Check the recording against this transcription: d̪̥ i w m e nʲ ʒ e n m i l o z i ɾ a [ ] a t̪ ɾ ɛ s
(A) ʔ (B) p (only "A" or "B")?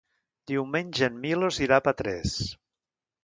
B